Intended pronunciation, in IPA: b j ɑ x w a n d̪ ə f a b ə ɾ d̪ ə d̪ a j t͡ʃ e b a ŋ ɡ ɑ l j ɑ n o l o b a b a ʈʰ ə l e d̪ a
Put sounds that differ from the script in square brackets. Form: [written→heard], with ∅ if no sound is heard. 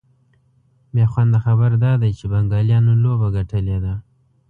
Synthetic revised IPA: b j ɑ x w a n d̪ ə [f→x] a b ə ɾ d̪ [ə→ɑ] d̪ a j t͡ʃ e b a ŋ ɡ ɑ l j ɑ n o l o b a [b→ɡ] a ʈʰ ə l e d̪ a